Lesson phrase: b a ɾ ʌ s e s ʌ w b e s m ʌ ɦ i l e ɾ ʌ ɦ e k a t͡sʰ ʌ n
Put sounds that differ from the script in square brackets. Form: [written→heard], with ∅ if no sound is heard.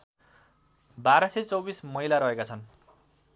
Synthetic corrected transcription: b a ɾ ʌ s e [s→t͡s] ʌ w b [e→i] s m ʌ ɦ i l [e→a] ɾ ʌ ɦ e k a t͡sʰ ʌ n